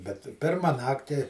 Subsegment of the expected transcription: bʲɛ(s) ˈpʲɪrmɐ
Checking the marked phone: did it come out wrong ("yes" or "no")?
yes